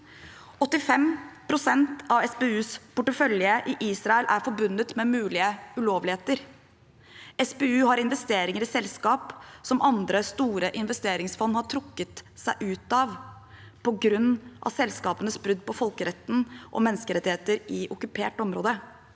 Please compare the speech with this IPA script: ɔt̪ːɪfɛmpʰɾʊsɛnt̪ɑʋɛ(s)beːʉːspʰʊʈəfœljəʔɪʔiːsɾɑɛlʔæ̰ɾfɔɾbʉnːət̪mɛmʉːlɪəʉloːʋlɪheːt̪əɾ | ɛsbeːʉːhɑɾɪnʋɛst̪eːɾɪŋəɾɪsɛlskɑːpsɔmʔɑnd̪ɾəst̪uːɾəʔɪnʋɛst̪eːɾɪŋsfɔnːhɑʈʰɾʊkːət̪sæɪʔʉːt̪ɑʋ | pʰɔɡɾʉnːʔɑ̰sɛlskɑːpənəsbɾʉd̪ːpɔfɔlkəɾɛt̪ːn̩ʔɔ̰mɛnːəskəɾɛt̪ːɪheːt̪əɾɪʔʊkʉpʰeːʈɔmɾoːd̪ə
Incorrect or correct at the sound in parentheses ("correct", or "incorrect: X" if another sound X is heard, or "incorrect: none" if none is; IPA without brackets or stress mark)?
correct